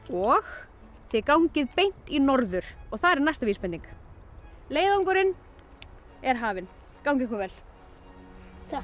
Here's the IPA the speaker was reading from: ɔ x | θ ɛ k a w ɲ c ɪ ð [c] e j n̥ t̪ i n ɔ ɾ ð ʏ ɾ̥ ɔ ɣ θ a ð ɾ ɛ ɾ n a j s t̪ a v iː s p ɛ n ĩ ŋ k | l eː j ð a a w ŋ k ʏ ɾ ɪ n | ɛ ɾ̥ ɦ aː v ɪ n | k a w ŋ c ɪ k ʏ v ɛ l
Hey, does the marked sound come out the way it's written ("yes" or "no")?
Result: no